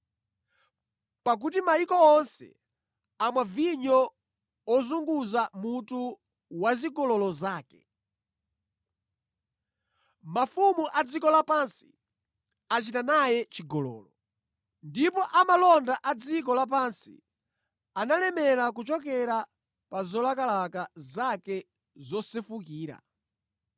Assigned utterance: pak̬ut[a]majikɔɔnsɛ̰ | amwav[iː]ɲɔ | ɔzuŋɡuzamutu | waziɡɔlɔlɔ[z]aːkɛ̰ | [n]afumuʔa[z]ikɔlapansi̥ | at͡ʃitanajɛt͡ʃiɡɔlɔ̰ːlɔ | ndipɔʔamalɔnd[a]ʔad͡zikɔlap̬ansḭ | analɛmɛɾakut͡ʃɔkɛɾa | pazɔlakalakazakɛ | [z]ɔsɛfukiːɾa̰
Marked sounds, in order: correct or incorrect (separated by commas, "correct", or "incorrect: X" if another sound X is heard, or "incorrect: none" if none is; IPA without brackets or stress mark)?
incorrect: i, incorrect: i, correct, incorrect: m, incorrect: d͡z, correct, correct